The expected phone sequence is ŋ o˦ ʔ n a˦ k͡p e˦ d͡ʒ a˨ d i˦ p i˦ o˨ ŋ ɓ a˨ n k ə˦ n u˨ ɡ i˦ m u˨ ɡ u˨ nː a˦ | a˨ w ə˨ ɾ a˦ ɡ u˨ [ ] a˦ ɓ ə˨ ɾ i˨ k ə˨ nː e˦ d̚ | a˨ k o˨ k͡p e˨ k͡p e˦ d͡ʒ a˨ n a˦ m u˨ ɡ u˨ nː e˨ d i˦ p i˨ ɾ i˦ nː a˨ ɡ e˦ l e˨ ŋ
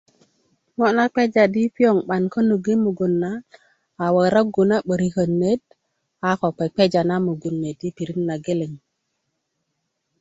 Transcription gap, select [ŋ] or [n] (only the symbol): n